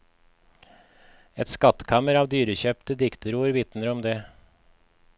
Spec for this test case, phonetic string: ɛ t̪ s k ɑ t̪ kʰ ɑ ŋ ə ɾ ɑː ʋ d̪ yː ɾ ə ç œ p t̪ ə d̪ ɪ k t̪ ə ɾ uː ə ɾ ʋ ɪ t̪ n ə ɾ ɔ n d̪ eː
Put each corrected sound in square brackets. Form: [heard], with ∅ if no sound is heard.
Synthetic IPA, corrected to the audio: ɛ t̪ s k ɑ t̪ kʰ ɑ [m] ə ɾ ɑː ʋ d̪ yː ɾ ə ç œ p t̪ ə d̪ ɪ k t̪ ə ɾ uː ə ɾ ʋ ɪ t̪ n ə ɾ ɔ [m] d̪ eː

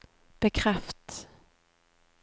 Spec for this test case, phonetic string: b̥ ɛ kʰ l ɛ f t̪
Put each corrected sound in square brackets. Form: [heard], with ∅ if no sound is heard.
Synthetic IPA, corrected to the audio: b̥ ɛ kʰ [ɾ] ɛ f t̪

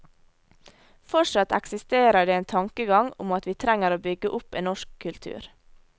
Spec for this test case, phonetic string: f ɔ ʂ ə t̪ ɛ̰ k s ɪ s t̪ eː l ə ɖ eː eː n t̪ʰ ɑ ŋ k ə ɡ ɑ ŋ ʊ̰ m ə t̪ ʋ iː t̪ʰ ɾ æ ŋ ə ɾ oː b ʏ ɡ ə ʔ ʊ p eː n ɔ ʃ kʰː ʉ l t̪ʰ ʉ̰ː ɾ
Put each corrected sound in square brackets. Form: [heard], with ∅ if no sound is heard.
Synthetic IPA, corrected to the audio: f ɔ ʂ [ɑ] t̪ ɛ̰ k s ɪ s t̪ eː [ɾ] ə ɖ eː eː n t̪ʰ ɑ ŋ k ə ɡ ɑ ŋ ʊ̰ m [ɑ] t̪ ʋ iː t̪ʰ ɾ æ ŋ ə ɾ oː b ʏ ɡ ə ʔ ʊ p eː n ɔ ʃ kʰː ʉ l t̪ʰ ʉ̰ː ɾ

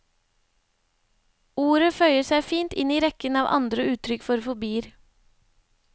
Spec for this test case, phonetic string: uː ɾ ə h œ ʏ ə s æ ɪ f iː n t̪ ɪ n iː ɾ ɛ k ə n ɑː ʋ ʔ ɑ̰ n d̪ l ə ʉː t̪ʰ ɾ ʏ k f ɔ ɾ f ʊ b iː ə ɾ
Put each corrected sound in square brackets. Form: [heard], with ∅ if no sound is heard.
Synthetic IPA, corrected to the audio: uː ɾ ə [f] œ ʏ ə s æ ɪ f iː n t̪ ɪ n iː ɾ ɛ k ə n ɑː ʋ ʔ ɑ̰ n d̪ [ɾ] ə ʉː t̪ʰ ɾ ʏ k f ɔ ɾ f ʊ b iː ə ɾ

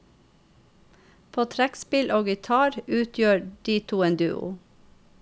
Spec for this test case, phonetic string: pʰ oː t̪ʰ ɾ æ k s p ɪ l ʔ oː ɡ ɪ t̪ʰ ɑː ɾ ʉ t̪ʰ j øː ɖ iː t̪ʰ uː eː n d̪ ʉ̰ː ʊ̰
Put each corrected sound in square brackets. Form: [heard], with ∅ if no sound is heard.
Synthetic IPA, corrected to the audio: pʰ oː t̪ʰ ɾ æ k s p ɪ l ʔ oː ɡ ɪ t̪ʰ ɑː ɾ [ʉː] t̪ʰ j øː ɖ iː t̪ʰ uː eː n d̪ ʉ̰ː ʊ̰

